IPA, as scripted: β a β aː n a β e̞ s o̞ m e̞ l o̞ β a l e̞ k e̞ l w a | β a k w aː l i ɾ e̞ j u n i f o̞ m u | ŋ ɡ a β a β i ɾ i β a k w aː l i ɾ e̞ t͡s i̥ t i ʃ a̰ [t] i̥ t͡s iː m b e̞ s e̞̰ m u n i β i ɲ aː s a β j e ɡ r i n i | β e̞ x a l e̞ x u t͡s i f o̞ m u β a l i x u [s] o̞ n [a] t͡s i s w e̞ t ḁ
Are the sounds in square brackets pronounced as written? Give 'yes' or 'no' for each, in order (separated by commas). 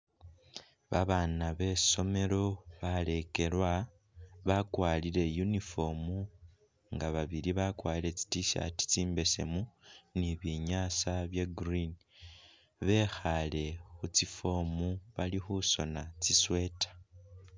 yes, yes, yes